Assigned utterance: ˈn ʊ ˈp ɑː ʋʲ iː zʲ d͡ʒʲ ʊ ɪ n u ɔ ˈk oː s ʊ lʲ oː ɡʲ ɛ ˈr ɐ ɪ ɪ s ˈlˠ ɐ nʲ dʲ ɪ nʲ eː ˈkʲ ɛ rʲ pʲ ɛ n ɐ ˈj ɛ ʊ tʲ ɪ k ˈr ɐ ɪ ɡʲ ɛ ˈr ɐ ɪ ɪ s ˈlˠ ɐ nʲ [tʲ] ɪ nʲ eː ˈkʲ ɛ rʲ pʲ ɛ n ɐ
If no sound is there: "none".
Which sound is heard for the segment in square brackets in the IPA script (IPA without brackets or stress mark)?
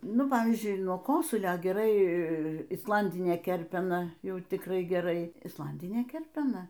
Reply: dʲ